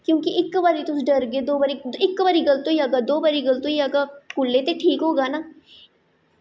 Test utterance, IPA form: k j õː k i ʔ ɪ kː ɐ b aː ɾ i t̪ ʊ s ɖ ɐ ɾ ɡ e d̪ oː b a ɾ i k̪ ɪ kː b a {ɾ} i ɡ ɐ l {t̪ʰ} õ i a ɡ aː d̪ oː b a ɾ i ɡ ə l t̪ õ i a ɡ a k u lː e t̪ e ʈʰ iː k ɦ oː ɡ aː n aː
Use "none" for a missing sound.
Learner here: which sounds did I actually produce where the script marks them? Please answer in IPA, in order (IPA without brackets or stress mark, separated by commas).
ɾ, t̪